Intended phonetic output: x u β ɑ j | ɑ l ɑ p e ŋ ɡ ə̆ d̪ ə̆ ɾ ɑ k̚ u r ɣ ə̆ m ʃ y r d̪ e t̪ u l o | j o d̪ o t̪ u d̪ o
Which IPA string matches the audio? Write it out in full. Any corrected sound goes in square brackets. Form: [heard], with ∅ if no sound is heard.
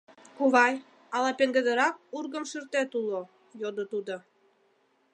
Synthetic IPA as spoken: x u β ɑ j | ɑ l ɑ p e ŋ ɡ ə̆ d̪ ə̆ ɾ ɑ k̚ u r ɣ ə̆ m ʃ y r [t̪] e t̪ u l o | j o d̪ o t̪ u d̪ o